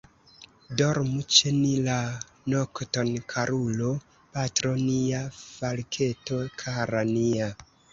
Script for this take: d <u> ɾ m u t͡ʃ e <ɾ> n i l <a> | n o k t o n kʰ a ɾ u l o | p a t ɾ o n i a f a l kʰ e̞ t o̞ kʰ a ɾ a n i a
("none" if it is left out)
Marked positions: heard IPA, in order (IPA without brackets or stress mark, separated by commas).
o, none, a